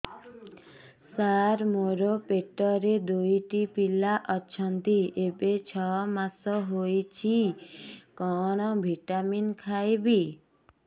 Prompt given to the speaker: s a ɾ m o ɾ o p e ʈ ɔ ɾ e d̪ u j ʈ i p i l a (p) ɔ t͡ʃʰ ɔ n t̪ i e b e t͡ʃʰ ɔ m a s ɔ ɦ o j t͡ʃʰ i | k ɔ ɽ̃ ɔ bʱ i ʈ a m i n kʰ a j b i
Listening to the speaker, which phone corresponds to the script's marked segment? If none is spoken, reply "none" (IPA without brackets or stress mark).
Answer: ʔ